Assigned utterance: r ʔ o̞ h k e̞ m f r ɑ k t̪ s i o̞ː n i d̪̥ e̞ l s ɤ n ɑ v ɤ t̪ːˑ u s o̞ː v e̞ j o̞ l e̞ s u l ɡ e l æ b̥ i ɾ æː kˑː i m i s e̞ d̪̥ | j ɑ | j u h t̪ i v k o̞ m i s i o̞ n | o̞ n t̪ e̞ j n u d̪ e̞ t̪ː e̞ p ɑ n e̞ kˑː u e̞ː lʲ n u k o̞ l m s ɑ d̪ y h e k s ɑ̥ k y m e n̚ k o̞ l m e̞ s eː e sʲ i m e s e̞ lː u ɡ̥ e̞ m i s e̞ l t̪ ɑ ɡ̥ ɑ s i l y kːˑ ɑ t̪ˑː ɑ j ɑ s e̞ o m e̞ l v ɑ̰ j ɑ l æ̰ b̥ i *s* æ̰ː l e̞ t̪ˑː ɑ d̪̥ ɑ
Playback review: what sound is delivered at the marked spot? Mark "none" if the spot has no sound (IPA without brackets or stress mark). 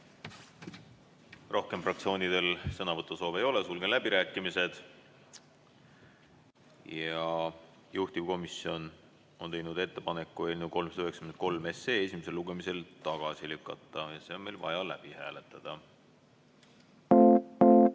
h